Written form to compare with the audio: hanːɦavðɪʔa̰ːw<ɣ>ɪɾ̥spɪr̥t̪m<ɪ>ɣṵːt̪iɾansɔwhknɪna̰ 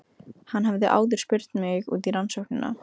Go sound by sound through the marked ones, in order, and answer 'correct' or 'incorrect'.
incorrect, correct

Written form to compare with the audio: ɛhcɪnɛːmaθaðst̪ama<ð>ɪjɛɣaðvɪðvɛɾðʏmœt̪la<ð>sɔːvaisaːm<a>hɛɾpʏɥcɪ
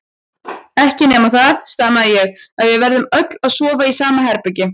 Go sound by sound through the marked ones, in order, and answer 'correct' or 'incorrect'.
correct, correct, correct

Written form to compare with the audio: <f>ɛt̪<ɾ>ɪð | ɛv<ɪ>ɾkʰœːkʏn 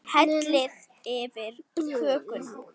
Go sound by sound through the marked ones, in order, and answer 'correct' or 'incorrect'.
incorrect, incorrect, correct

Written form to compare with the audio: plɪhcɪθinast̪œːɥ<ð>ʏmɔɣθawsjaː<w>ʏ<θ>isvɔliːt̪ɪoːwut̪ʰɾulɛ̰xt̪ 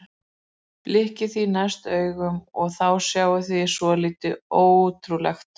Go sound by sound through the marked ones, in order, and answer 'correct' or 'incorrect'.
incorrect, correct, correct

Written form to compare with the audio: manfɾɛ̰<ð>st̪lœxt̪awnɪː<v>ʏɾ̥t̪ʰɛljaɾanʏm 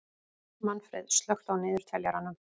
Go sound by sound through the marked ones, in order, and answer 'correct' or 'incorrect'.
correct, incorrect

